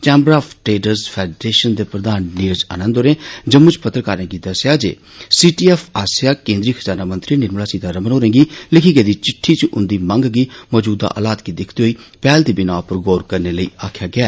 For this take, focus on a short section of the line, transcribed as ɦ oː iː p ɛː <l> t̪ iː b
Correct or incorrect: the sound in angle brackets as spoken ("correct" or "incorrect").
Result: correct